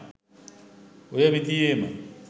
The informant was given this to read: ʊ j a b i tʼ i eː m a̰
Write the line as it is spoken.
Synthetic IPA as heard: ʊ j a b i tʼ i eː m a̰